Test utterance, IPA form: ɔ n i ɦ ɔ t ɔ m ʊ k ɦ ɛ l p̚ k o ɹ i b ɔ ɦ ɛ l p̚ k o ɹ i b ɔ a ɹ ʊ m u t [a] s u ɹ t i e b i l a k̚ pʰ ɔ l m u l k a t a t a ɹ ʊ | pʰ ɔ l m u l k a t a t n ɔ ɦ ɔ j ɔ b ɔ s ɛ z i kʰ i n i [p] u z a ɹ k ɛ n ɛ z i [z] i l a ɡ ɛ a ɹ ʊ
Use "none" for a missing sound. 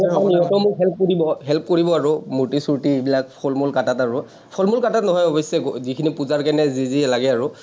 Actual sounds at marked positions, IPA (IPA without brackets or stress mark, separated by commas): i, p, z